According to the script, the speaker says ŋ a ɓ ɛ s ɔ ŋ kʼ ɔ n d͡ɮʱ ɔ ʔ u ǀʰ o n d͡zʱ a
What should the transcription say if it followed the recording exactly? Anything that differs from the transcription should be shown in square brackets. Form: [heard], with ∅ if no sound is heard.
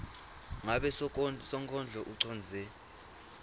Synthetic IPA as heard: ŋ a ɓ ɛ s ɔ ŋ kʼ ɔ n d͡ɮʱ ɔ ʔ u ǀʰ [ɔ] n d͡zʱ [ɛ]